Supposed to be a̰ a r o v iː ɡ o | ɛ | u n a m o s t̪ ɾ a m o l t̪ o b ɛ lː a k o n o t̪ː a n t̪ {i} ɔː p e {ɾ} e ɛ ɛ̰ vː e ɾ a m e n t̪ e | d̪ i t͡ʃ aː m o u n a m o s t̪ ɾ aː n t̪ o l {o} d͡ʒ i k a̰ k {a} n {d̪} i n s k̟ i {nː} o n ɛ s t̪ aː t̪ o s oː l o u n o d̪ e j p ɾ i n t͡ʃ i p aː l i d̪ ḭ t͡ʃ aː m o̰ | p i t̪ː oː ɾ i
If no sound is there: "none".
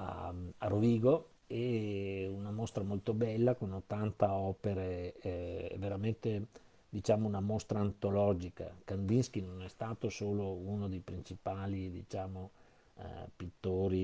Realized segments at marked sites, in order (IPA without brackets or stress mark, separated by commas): a, ɾ, ɔ, a, d̪, n